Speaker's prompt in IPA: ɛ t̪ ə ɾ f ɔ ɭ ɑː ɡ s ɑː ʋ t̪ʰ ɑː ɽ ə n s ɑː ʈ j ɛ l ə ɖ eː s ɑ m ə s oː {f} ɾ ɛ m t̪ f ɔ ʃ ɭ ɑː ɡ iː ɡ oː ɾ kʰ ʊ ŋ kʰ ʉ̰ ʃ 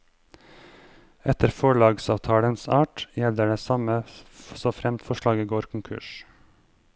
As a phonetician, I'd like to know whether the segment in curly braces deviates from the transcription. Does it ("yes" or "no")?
no